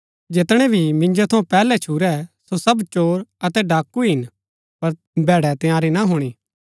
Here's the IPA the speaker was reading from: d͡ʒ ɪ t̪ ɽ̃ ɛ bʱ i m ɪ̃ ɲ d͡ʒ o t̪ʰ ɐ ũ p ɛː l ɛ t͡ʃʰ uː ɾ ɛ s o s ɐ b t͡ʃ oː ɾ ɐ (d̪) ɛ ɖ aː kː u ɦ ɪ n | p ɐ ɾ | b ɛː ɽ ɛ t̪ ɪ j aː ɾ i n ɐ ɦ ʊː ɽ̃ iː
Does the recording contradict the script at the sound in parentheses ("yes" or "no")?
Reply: yes